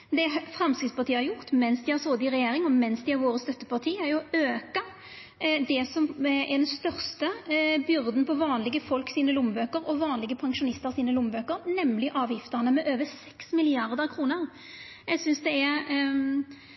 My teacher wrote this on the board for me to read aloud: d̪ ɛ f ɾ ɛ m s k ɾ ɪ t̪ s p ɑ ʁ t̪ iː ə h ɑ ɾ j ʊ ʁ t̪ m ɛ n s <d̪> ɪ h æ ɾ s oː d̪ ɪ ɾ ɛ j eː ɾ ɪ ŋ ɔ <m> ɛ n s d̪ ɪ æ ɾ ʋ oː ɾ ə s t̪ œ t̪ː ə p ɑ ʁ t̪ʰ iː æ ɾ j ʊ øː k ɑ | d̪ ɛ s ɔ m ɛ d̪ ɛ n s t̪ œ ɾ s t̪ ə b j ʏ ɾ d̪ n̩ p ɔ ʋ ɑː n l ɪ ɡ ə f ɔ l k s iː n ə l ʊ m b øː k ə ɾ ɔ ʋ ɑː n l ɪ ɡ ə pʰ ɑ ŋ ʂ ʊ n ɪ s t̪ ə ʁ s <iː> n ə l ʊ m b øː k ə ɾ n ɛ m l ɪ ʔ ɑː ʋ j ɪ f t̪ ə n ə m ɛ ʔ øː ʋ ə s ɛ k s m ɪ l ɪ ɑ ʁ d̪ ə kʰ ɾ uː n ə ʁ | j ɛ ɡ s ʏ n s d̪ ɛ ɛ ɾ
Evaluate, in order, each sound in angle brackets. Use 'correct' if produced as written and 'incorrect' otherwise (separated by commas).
correct, correct, correct